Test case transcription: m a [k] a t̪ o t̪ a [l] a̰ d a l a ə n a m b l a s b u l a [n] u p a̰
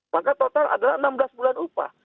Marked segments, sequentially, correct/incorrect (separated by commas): correct, correct, correct